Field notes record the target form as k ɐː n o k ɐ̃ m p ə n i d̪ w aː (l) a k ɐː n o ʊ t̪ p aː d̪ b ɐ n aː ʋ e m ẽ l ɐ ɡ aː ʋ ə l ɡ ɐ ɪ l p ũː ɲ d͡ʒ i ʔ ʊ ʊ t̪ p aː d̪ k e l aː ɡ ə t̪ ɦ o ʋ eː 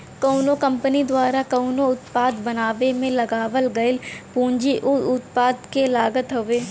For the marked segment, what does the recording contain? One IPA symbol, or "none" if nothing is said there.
ɾ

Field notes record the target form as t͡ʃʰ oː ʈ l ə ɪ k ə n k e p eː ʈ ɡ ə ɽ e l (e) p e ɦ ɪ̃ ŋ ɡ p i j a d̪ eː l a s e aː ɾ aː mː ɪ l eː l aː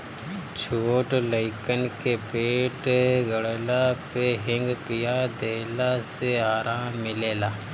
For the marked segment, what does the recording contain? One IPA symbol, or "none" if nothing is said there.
a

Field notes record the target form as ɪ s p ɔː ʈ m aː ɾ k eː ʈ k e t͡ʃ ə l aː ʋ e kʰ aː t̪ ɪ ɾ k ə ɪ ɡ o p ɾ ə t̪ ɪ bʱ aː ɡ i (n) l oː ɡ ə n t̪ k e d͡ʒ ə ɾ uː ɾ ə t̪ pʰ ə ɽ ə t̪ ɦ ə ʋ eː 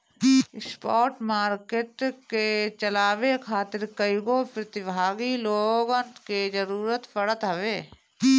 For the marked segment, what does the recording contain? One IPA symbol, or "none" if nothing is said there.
none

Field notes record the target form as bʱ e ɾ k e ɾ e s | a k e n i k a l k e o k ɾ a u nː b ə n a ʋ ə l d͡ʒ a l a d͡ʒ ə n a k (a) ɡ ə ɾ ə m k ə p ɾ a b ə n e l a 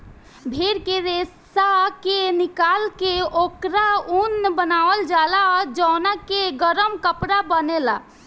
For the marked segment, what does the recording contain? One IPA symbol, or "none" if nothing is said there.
e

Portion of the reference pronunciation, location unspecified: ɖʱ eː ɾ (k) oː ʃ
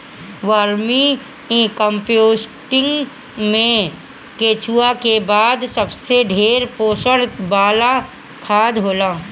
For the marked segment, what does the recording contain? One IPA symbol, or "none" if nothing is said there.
p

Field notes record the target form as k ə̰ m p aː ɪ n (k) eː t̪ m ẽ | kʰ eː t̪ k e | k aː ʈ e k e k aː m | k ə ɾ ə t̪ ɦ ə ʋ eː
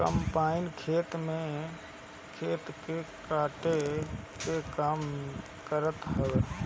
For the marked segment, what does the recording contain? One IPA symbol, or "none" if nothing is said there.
kʰ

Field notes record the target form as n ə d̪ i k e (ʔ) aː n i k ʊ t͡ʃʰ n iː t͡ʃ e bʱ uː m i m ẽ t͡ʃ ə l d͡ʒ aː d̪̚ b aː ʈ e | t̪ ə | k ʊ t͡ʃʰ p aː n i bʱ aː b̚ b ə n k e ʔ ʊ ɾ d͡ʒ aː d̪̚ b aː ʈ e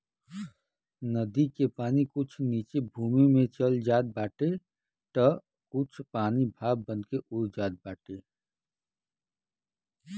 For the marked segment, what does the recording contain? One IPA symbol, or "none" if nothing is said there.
p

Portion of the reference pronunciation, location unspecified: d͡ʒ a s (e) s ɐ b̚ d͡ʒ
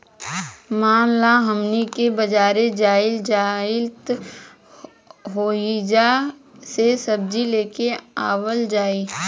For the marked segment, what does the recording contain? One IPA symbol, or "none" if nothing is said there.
e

